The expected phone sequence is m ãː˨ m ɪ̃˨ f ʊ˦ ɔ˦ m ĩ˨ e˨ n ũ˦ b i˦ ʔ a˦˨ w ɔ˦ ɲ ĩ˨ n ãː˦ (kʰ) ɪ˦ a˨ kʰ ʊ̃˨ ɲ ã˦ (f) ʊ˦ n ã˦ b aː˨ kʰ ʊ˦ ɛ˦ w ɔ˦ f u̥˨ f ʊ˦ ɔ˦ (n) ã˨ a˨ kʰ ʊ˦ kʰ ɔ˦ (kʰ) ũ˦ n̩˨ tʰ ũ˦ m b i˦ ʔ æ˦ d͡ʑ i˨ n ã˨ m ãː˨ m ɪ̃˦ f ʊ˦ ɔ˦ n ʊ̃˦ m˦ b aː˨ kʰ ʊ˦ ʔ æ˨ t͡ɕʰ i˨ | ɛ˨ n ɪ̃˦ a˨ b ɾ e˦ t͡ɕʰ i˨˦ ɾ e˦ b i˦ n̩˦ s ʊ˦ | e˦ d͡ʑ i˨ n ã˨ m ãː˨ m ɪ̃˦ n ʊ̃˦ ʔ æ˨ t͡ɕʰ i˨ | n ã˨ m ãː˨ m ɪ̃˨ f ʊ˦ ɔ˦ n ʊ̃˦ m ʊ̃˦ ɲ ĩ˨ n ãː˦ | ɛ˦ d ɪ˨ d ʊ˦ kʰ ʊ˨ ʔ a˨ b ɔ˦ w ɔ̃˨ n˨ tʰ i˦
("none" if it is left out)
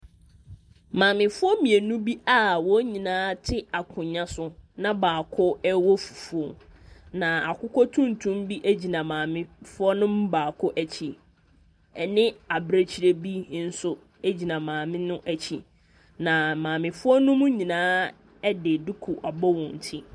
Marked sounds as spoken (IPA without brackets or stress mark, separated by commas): tʰ, s, n, tʰ